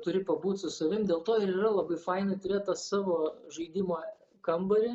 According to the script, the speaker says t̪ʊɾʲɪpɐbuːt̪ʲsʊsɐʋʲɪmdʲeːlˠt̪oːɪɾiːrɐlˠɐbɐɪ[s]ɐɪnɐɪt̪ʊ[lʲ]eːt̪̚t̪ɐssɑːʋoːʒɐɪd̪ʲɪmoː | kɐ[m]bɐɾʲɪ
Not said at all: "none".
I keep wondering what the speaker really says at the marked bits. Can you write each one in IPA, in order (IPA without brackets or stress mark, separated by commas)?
f, ɾʲ, m